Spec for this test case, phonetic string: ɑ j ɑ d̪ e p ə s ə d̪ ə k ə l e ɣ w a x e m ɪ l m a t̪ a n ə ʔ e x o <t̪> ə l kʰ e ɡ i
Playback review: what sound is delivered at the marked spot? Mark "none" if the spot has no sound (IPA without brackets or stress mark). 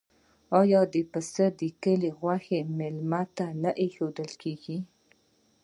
d̪